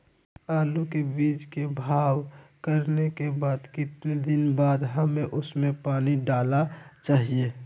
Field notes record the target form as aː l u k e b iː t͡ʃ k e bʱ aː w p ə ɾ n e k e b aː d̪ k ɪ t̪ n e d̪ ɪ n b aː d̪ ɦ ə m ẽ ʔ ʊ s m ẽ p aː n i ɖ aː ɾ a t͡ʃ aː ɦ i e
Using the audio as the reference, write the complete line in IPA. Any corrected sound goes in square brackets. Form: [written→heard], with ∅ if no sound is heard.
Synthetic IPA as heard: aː l u k e b iː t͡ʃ k e bʱ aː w [p→k] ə ɾ n e k e b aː d̪ k ɪ t̪ n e d̪ ɪ n b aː d̪ ɦ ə m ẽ ʔ ʊ s m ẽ p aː n i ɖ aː [ɾ→l] a t͡ʃ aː ɦ i e